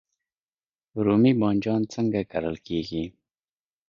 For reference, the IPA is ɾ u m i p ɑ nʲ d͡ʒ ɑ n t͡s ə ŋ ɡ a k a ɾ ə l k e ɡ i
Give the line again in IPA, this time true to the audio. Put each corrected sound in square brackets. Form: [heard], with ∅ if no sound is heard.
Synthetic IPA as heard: ɾ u m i [b] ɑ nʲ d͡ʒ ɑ n t͡s ə ŋ ɡ a k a ɾ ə l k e ɡ i